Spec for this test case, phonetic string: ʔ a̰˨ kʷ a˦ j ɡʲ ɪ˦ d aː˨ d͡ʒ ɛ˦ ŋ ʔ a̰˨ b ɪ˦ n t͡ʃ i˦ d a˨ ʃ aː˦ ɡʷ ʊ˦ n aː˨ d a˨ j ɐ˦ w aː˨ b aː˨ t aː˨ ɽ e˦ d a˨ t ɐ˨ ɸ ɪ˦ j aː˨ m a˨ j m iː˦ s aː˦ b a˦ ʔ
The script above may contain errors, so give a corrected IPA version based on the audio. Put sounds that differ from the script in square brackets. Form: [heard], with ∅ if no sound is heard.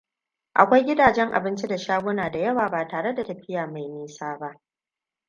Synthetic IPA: ʔ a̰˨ kʷ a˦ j ɡʲ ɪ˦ d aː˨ d͡ʒ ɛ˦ ŋ ʔ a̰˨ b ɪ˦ n t͡ʃ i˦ d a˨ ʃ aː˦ ɡʷ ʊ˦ n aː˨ d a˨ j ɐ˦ w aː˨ b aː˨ t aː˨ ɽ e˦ d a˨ t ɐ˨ ɸ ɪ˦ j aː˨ m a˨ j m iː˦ s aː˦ b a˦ ʔ